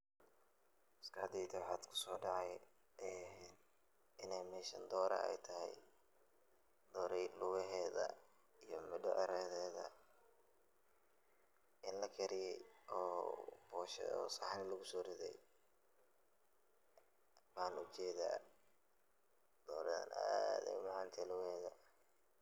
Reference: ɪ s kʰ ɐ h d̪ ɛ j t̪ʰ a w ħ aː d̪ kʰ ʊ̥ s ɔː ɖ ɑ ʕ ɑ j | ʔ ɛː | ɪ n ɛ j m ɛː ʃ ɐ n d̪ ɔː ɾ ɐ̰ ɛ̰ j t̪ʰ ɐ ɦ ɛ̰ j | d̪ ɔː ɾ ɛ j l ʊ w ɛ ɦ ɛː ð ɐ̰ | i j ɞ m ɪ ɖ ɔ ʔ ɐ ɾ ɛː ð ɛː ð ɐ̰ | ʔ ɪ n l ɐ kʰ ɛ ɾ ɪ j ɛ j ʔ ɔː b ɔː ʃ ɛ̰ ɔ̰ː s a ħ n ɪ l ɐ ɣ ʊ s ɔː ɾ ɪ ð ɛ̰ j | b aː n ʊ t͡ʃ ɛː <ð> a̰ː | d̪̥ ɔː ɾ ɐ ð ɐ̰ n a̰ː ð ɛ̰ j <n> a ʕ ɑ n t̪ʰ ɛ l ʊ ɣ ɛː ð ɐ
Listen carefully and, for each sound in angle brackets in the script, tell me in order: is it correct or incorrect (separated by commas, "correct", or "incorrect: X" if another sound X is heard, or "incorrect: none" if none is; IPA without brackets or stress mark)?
correct, incorrect: m